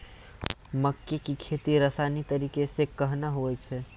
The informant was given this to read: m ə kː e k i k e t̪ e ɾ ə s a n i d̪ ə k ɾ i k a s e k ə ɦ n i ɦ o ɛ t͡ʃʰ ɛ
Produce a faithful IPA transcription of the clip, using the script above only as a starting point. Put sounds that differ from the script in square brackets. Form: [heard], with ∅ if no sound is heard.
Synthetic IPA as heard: m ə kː e k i [kʰ] e t̪ [i] ɾ ə s a n i [t̪] ə [∅] ɾ i k [e] s e k ə ɦ n [a] ɦ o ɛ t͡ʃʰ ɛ

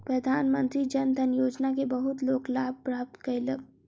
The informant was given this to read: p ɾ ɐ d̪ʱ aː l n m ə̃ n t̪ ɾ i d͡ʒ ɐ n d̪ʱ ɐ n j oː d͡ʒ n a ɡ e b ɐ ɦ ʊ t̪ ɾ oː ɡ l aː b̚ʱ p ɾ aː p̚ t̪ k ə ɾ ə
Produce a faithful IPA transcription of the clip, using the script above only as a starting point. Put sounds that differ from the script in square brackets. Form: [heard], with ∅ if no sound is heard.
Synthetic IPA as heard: p ɾ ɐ d̪ʱ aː [∅] n m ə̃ n t̪ ɾ i d͡ʒ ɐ n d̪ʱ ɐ n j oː d͡ʒ n a [k] e b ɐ ɦ ʊ t̪ [l] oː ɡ l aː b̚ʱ p ɾ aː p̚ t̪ k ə [l] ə

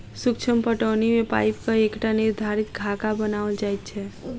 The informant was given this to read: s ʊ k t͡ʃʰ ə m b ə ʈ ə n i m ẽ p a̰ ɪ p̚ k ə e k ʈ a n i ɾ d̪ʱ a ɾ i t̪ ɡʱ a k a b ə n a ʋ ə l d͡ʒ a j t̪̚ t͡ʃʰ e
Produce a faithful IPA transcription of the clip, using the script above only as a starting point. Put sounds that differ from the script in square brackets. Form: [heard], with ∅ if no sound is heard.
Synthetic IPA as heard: s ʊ k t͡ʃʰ ə m [p] ə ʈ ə n i m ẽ p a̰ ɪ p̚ k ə e k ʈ a n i ɾ d̪ʱ a ɾ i t̪ ɡʱ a k a b ə n a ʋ ə l d͡ʒ a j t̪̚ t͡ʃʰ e

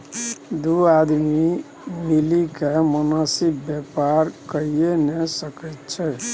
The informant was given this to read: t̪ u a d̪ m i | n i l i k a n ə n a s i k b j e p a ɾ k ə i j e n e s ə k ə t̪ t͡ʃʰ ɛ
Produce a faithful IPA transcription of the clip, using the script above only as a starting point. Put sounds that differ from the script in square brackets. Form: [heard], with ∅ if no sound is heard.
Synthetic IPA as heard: [d̪] u a d̪ m i | [m] i l i k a [m] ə n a s i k b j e p a ɾ k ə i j e n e s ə k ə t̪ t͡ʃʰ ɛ

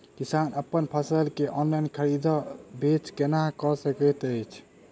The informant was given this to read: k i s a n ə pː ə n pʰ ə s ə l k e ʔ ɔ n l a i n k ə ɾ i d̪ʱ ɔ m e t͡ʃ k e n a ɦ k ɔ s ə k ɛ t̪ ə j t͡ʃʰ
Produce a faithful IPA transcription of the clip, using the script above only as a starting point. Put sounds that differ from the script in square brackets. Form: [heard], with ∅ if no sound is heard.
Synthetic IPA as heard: k i s a n ə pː ə n pʰ ə s ə l k e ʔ ɔ n l a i n [kʰ] ə ɾ i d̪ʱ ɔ [b] e t͡ʃ k e n a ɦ k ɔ s ə k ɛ t̪ ə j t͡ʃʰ

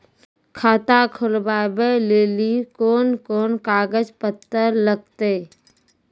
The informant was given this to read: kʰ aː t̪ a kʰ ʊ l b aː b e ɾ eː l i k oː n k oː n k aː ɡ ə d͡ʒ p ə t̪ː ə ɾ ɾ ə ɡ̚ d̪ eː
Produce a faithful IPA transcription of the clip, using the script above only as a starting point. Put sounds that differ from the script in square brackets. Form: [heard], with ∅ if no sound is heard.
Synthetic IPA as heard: kʰ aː t̪ a kʰ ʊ l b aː b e [l] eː l i k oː n k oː n k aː ɡ ə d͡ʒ p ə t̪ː ə ɾ [l] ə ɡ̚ [t̪] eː

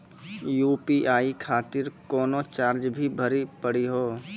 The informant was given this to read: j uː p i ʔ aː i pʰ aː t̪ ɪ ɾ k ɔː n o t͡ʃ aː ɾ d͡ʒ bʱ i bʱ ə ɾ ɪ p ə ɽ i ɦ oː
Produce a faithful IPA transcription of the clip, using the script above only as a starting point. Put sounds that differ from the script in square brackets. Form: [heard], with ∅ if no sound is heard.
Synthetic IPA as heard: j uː p i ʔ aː i [kʰ] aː t̪ ɪ ɾ k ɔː n o t͡ʃ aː ɾ d͡ʒ bʱ i bʱ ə ɾ [i] p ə ɽ i ɦ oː

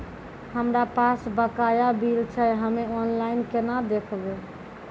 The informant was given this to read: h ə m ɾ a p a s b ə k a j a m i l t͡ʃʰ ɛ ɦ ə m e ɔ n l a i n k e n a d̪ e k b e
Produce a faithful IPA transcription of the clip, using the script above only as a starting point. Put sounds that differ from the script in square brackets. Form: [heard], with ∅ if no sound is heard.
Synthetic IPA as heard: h ə m ɾ a p a s b ə k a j a [b] i l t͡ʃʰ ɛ ɦ ə m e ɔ n l a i n k e n a d̪ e [kʰ] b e

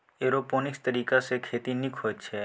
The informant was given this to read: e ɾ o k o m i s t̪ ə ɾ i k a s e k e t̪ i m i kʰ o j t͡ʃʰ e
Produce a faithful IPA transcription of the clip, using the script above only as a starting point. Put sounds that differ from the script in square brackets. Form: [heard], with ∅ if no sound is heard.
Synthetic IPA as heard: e ɾ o [p] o [n] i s t̪ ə ɾ i k a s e [kʰ] e t̪ i [n] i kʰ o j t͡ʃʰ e

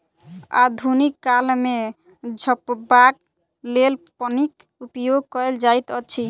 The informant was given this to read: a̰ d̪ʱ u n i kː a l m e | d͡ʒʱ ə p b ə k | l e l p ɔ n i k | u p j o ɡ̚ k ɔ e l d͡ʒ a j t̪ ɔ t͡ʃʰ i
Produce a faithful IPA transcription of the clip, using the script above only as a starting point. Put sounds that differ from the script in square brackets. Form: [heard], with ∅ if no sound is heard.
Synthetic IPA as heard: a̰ d̪ʱ u n i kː a l m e | d͡ʒʱ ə p b [a] k | l e l p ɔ n i k | u p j o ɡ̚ k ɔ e l d͡ʒ a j t̪ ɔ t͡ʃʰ i

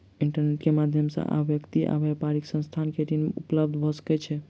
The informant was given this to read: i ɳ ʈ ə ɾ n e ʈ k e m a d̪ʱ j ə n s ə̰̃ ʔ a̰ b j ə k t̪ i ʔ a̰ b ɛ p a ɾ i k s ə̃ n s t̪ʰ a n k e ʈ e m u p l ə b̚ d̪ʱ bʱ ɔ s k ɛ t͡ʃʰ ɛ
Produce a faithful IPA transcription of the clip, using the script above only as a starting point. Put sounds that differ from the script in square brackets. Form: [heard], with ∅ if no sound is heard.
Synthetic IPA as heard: i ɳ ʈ ə ɾ n e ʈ k e m a d̪ʱ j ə [m] s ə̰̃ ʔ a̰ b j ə k t̪ i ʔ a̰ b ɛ p a ɾ i k s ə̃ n s t̪ʰ a n k e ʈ [i] m u p l ə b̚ d̪ʱ bʱ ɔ s k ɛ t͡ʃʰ ɛ

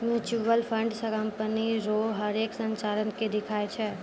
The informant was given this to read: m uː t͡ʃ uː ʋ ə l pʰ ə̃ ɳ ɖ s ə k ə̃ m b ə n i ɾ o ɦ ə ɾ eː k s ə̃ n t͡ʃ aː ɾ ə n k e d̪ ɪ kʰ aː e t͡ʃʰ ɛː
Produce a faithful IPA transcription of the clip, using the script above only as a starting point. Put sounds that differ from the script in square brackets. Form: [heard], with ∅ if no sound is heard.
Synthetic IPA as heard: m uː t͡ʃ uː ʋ ə l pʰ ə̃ ɳ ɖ s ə k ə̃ m [p] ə n i ɾ o ɦ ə ɾ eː k s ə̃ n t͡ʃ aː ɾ ə n k e d̪ ɪ kʰ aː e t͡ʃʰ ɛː

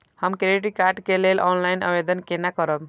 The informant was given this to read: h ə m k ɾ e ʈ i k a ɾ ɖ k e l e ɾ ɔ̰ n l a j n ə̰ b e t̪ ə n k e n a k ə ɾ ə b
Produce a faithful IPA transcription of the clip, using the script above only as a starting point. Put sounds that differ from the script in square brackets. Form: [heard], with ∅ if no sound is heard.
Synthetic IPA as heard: h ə m k ɾ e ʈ i k a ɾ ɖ k e l e [l] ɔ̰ n l a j n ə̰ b e [d̪] ə n k e n a k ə ɾ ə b

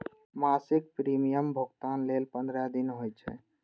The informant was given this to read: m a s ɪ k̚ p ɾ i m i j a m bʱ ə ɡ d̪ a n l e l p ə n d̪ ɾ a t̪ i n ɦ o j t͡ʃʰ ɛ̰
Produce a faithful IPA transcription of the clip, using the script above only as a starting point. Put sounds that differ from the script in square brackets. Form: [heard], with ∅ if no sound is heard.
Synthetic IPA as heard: m a s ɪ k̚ p ɾ i m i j [ə] m bʱ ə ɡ [t̪] a n l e l p ə n d̪ ɾ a [d̪] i n ɦ o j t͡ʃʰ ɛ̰

